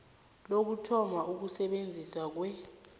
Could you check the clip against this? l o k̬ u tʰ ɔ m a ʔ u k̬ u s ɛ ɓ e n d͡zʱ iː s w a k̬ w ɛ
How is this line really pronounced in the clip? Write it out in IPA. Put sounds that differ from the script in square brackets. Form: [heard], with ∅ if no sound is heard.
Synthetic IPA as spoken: l o k̬ u tʰ ɔ m a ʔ u k̬ u s ɛ ɓ e n d͡zʱ [i] s w a k̬ w ɛ